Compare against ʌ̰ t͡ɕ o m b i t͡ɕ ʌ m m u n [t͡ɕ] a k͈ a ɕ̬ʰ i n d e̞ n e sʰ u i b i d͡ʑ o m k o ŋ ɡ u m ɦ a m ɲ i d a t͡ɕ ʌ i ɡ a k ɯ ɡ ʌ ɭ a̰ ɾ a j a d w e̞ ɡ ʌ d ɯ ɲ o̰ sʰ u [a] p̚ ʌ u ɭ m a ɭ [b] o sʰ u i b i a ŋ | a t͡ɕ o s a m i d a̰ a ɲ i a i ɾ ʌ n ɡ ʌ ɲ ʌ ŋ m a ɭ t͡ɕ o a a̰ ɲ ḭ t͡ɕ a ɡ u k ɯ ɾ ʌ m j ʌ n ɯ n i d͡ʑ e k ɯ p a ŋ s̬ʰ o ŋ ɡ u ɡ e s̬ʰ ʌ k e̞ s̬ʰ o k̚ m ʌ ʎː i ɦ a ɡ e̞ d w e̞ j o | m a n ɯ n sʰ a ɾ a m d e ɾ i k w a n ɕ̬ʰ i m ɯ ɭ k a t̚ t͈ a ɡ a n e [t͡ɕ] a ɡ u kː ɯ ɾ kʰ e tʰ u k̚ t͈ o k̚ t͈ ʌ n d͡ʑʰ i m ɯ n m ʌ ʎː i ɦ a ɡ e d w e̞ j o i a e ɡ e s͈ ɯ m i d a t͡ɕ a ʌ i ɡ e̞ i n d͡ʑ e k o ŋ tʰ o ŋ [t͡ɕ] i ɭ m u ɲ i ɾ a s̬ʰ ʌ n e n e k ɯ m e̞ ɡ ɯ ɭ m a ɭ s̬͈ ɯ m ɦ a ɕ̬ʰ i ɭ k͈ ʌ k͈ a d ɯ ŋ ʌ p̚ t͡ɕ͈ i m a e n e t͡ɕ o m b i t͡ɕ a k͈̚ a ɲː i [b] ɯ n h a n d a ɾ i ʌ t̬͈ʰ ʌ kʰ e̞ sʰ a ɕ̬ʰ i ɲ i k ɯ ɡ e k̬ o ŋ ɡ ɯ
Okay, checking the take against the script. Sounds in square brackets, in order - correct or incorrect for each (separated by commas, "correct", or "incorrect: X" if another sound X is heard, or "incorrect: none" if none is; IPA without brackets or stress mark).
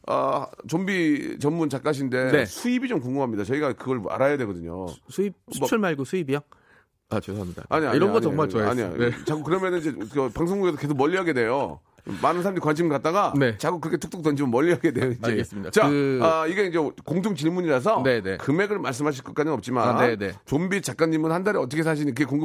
correct, incorrect: i, incorrect: ɡ, correct, correct, incorrect: m